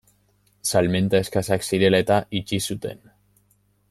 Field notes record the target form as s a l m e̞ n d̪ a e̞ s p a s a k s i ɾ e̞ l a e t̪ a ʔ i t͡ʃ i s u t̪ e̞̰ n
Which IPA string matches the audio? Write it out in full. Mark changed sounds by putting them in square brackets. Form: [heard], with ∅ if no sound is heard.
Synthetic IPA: s a l m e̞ n [t̪] a e̞ s [k] a s a k s i ɾ e̞ l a e t̪ a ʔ i t͡ʃ i s u t̪ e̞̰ n